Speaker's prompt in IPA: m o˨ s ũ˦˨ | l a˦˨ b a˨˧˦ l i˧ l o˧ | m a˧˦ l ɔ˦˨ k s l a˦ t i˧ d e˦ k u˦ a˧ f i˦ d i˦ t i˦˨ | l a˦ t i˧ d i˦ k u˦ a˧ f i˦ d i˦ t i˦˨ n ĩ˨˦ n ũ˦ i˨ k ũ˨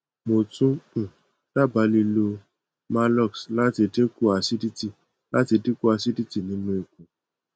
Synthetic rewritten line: m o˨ t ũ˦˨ | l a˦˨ b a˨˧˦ l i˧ l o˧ | m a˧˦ l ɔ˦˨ k s l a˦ t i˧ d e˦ k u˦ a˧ s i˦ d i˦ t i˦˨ | l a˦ t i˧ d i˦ k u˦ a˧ s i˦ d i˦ t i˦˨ n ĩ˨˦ n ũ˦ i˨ k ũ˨